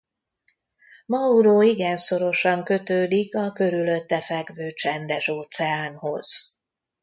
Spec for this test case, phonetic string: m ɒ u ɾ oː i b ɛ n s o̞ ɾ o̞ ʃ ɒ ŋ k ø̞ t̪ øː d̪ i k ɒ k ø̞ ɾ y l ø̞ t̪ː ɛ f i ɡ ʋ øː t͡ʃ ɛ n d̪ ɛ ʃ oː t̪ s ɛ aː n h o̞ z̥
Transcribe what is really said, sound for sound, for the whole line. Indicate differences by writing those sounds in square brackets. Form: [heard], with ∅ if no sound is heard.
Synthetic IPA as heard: m ɒ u ɾ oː i [ɡ] ɛ n s o̞ ɾ o̞ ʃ ɒ ŋ k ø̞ t̪ øː d̪ i k ɒ k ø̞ ɾ y l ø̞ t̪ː ɛ f [ɛ] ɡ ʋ øː t͡ʃ ɛ n d̪ ɛ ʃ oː t̪ s ɛ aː n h o̞ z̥